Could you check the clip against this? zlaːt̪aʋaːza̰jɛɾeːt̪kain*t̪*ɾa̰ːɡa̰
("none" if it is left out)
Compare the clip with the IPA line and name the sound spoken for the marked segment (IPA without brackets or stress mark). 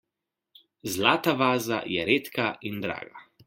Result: d̪